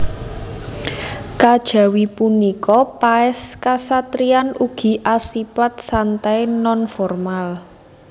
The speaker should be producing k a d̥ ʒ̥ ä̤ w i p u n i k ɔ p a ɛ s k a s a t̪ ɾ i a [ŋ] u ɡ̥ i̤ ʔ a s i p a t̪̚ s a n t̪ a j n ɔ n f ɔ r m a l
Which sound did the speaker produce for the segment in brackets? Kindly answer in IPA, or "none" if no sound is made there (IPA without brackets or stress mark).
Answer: n